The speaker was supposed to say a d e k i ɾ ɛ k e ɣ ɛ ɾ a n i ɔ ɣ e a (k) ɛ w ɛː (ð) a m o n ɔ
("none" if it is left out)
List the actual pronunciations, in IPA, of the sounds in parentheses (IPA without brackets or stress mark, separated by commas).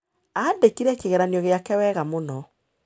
k, ɣ